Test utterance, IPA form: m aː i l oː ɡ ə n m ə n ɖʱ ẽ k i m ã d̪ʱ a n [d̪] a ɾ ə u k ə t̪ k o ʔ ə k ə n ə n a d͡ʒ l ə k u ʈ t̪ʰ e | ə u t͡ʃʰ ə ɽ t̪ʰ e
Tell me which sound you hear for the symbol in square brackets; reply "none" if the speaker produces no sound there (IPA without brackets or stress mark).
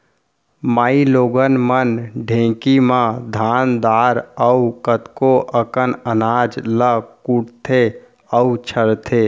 d̪